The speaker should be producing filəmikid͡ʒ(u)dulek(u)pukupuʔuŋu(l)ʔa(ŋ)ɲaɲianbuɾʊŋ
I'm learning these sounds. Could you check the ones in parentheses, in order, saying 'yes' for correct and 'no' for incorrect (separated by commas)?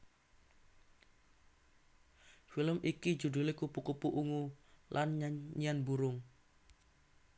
yes, yes, yes, no